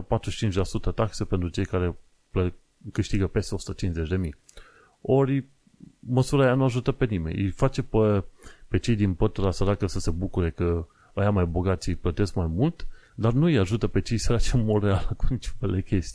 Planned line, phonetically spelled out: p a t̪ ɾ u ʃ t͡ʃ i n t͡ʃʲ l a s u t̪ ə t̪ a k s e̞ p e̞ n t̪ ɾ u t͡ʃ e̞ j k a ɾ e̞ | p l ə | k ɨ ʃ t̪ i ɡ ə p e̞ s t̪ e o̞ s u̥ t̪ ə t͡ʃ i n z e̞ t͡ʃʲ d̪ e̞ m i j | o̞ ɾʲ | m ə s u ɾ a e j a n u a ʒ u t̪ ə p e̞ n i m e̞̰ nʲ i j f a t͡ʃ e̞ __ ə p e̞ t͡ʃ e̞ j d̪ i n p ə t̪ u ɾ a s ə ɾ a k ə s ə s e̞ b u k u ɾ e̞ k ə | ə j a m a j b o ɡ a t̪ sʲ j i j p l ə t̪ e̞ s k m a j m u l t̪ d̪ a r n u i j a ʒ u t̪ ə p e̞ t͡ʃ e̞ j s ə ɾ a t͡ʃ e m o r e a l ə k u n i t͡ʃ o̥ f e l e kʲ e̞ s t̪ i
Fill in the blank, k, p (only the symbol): p